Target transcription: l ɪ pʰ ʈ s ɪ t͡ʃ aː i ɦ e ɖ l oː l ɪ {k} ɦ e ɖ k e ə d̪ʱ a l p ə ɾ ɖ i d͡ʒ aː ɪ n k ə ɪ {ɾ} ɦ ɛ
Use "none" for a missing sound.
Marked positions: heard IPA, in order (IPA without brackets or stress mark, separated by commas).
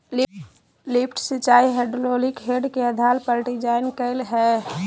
k, l